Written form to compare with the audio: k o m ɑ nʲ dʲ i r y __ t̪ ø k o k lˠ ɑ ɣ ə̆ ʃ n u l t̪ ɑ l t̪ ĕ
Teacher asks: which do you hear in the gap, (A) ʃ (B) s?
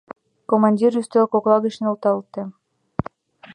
B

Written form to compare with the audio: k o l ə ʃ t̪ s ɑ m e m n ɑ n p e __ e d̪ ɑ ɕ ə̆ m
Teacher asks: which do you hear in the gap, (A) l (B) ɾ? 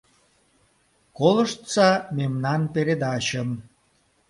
B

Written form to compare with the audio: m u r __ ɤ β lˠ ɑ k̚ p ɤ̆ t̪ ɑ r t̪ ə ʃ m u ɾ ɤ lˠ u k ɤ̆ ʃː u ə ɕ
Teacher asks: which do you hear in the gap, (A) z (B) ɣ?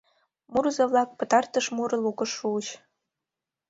A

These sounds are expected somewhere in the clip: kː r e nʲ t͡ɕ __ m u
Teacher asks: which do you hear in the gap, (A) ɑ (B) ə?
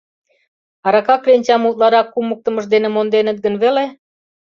A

